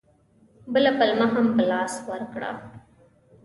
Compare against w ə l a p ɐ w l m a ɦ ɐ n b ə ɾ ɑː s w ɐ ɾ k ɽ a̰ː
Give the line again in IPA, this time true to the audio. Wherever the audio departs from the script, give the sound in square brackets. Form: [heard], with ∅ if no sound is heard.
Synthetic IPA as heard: [b] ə l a p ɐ [∅] l m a ɦ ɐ [m] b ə [l] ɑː s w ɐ ɾ k ɽ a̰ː